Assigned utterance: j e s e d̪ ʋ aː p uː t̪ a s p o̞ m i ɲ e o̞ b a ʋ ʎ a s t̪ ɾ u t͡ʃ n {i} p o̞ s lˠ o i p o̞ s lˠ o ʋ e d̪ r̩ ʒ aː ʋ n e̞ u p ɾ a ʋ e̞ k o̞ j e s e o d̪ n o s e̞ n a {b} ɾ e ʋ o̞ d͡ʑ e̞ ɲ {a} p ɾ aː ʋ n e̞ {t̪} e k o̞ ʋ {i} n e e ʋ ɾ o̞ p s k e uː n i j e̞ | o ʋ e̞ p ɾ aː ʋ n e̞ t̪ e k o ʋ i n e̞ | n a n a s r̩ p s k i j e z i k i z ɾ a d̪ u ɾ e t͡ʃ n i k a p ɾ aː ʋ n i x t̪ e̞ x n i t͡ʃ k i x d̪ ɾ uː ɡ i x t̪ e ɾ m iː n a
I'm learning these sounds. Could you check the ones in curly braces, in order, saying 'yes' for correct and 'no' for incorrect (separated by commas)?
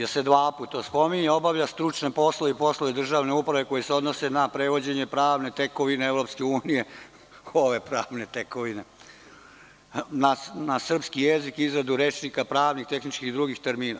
no, no, no, yes, yes